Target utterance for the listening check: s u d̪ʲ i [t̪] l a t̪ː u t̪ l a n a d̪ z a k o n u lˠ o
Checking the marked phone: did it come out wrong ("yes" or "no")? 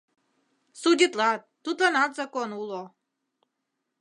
no